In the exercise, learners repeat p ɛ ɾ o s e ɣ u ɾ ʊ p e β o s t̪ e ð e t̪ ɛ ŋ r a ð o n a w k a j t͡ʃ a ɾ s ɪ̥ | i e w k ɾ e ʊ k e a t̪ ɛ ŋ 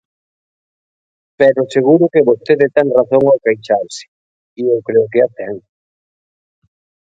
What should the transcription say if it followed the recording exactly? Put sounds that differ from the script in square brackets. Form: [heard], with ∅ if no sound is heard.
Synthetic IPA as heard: p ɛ ɾ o s e ɣ u ɾ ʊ [k] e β o s t̪ e ð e t̪ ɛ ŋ r a [θ] o [ŋ] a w k a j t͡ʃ a ɾ s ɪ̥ | i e w k ɾ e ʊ k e a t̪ ɛ ŋ

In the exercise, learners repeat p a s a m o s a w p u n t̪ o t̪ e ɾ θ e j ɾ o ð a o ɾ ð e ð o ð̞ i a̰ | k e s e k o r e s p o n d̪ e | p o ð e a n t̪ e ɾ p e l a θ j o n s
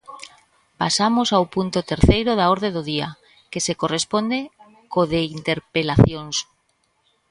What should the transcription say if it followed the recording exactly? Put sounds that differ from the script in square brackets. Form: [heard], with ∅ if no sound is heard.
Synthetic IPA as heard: p a s a m o s a w p u n t̪ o t̪ e ɾ θ e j ɾ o ð a o ɾ ð e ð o ð̞ i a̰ | k e s e k o r e s p o n d̪ e | [k] o ð e [i] n t̪ e ɾ p e l a θ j o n s

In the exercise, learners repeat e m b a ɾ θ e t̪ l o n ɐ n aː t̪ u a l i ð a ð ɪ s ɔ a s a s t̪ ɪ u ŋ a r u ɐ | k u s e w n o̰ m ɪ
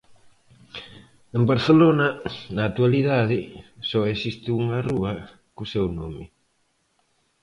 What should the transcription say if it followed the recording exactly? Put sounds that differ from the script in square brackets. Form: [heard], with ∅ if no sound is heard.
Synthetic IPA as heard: e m b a ɾ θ e [∅] l o n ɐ n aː t̪ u a l i ð a ð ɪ s ɔ [e] s [i] s t̪ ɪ u ŋ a r u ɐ | k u s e w n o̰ m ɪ

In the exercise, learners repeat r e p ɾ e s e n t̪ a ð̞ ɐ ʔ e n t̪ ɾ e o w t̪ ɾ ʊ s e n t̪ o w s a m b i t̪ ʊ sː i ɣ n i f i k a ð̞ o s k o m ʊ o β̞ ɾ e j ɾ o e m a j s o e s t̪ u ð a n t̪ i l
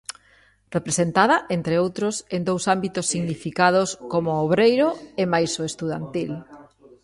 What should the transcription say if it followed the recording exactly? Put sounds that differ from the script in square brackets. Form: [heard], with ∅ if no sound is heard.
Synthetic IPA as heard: r e p ɾ e s e n t̪ a ð̞ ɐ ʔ e n t̪ ɾ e o w t̪ ɾ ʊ s e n [d̪] o w s a m b i t̪ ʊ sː i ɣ n i f i k a ð̞ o s k o m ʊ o β̞ ɾ e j ɾ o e m a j s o e s t̪ u ð a n t̪ i l

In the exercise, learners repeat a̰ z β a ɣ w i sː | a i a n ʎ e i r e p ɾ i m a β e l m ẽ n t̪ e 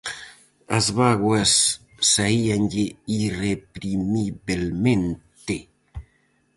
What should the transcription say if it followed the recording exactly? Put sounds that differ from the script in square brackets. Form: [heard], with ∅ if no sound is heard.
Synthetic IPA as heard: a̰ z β a ɣ w [a] sː | a i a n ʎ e i r e p ɾ i m [i] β e l m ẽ n t̪ e

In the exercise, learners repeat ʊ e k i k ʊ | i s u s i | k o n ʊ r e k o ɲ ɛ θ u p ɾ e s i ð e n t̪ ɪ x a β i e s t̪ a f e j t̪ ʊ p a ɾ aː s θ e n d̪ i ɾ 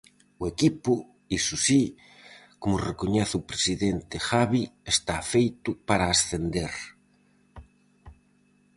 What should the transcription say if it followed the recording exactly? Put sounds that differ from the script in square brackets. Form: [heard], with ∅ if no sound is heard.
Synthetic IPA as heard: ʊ e k i [p] ʊ | i s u s i | k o [m] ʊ r e k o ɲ ɛ θ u p ɾ e s i ð e n t̪ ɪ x a β i e s t̪ a f e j t̪ ʊ p a ɾ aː s θ e n d̪ [e] ɾ

